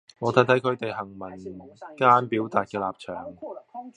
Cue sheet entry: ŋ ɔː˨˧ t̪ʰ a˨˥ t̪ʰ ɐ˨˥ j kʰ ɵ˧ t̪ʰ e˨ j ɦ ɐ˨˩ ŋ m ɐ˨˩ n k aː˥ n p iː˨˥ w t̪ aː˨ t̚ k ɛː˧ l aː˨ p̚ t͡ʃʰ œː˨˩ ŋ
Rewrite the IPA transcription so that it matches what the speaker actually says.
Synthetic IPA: ŋ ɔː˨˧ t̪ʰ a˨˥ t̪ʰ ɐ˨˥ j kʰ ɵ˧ t̪ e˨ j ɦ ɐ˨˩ ŋ m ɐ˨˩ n k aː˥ n p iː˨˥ w t̪ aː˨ t̚ k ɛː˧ l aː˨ p̚ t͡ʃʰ œː˨˩ ŋ